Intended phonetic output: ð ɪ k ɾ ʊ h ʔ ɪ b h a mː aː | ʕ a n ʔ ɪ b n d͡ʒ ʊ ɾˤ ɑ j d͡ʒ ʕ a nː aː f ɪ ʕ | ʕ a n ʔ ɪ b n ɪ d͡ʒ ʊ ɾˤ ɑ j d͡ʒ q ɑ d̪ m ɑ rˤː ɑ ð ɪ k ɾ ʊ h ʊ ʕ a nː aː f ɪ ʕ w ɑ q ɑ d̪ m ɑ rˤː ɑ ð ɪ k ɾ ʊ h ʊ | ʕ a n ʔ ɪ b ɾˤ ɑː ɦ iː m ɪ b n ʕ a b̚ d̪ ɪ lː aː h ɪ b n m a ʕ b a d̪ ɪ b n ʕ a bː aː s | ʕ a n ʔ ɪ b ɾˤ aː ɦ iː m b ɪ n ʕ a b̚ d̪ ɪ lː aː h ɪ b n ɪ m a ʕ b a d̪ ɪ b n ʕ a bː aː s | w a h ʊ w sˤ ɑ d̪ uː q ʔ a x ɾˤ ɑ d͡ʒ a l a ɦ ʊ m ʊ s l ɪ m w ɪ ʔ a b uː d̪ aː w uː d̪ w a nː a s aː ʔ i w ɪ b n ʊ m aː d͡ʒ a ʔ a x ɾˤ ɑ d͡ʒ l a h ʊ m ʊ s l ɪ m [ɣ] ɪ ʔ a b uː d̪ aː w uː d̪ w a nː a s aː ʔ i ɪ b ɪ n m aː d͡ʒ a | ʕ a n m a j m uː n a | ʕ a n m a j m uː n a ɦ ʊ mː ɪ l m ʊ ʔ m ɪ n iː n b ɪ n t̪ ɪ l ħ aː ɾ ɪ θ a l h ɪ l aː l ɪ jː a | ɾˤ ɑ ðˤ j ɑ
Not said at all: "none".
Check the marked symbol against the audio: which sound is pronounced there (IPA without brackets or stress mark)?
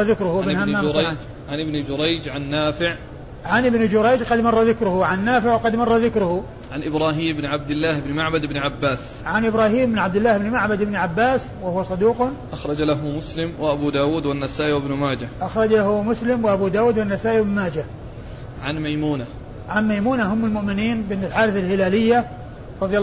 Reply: w